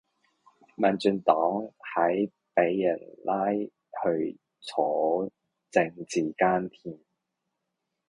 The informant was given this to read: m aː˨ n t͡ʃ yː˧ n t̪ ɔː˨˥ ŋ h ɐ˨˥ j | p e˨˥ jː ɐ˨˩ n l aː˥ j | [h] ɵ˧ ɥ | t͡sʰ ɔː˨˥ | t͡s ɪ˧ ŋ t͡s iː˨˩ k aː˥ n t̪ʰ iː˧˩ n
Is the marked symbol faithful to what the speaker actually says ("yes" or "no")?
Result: yes